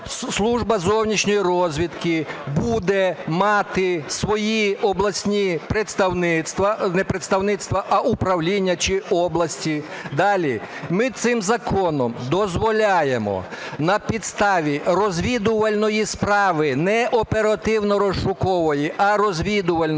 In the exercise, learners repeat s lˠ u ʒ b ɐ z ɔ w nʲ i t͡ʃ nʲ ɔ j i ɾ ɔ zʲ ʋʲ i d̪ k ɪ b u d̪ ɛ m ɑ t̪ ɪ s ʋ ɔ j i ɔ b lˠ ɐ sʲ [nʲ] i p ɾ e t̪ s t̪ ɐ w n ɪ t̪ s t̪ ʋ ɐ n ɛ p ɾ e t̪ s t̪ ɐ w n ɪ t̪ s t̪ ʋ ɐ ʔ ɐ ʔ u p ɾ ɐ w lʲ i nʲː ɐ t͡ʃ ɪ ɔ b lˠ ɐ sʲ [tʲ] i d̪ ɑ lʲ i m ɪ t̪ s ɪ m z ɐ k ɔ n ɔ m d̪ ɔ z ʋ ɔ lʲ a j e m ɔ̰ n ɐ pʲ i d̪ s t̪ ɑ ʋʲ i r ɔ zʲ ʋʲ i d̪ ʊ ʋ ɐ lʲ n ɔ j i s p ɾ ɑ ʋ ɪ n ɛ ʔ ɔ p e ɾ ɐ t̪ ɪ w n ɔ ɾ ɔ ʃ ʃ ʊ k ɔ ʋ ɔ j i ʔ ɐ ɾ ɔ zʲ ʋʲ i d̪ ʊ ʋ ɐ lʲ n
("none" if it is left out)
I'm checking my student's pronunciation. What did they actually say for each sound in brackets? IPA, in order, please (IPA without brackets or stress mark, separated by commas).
nʲ, tʲ